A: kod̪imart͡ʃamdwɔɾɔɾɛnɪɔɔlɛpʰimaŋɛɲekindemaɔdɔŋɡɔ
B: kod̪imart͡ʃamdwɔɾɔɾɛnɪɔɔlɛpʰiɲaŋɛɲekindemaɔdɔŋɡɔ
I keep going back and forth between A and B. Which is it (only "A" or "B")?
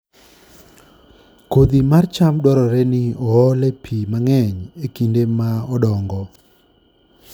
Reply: A